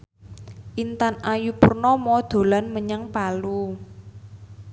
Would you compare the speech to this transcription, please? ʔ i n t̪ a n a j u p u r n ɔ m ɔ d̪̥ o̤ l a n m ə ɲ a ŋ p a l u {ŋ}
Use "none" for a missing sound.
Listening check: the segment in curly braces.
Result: none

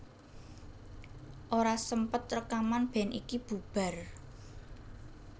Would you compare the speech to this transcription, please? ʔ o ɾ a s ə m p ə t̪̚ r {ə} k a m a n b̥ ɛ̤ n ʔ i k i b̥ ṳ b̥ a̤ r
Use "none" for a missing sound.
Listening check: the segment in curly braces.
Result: ə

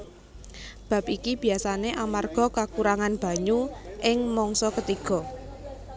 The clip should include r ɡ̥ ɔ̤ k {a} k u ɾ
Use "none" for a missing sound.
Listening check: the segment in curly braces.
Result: a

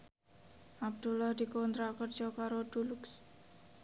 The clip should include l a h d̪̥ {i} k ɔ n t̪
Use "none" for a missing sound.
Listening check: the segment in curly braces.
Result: i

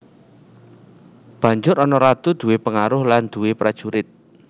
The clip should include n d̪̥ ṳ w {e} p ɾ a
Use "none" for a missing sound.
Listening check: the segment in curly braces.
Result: e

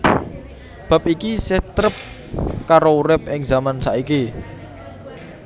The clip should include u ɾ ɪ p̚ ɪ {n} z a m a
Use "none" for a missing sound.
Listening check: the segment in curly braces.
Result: ŋ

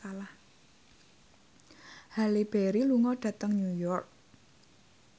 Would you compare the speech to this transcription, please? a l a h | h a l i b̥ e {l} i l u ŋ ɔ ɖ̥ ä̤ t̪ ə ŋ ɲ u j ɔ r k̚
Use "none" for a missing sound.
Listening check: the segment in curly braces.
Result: ɾ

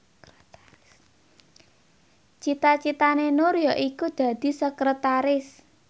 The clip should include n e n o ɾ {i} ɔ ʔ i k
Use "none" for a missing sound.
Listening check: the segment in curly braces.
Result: j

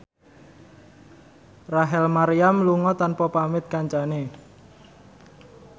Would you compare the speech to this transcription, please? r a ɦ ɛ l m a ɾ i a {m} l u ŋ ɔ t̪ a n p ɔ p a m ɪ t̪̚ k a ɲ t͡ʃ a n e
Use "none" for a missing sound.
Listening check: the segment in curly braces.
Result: m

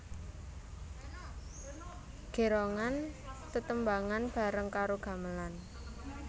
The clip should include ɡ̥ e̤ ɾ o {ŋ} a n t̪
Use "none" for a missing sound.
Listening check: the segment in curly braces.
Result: ŋ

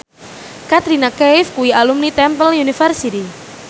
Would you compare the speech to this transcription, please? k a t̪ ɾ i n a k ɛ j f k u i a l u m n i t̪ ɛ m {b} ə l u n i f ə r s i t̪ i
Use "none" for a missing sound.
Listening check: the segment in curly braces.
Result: p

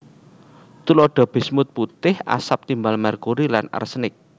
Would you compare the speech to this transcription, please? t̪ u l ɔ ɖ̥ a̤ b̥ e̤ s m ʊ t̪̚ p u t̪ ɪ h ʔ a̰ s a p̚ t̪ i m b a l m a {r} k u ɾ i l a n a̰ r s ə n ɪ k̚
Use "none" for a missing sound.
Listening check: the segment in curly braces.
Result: r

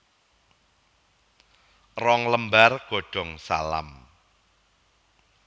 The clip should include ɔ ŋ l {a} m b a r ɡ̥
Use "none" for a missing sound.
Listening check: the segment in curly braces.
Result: ə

